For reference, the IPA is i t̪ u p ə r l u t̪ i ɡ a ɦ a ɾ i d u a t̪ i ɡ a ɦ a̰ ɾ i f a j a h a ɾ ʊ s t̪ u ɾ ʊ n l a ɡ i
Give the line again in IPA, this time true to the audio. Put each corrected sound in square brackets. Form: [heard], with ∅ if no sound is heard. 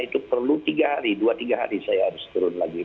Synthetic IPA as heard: i t̪ u p ə r l u t̪ i ɡ a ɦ a ɾ i d u a t̪ i ɡ a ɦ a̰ ɾ i [s] a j a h a ɾ ʊ s t̪ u ɾ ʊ n l a ɡ i